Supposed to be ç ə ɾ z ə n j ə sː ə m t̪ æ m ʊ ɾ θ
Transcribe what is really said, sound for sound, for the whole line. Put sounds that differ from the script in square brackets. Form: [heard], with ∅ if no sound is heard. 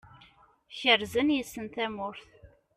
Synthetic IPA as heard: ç ə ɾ z ə n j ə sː ə [n] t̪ æ m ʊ ɾ θ